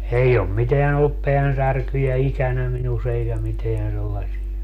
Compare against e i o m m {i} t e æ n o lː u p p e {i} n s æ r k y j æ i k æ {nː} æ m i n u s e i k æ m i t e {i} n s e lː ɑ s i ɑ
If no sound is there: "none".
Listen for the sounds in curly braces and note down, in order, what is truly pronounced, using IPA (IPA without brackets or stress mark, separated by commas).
i, æ, n, æ